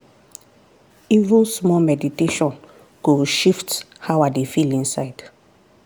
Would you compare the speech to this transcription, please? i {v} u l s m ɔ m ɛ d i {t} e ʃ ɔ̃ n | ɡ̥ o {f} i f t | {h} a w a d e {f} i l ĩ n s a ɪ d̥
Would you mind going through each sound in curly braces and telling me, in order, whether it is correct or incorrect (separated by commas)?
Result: correct, correct, incorrect, correct, correct